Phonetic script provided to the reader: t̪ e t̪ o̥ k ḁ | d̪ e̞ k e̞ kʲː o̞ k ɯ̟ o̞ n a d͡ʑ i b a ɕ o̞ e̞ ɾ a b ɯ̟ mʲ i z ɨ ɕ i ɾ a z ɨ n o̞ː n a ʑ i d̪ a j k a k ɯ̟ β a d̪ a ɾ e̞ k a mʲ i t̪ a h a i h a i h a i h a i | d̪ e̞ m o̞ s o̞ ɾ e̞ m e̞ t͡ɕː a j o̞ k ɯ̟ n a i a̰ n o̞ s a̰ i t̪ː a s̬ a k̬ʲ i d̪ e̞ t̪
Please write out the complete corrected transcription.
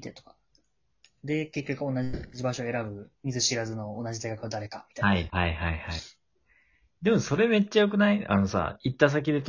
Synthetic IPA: t̪ e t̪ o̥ k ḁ | d̪ e̞ k e̞ kʲː o̞ k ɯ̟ o̞ n a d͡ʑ i b a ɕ o̞ e̞ ɾ a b ɯ̟ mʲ i z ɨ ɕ i ɾ a z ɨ n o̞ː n a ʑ i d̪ a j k a k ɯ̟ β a d̪ a ɾ e̞ k a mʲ i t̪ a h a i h a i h a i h a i | d̪ e̞ m o̞ s o̞ ɾ e̞ m e̞ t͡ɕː a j o̞ k ɯ̟ n a i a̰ n o̞ s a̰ i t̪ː a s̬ a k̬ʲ i d̪ e̞ t̪